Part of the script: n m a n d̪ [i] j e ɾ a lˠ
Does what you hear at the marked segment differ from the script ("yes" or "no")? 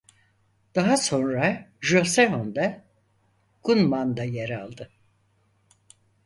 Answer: yes